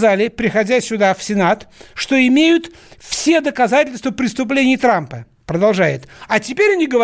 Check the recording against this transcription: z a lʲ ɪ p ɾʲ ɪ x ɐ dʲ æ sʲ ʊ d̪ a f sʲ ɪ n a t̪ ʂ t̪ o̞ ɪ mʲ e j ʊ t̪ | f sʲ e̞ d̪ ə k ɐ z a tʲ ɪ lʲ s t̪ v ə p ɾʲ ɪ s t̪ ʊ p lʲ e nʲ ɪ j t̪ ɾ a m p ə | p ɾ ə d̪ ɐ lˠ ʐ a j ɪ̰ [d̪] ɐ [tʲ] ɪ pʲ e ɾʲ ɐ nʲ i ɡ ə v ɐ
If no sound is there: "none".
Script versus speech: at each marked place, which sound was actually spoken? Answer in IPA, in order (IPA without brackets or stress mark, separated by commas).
t̪, tʲ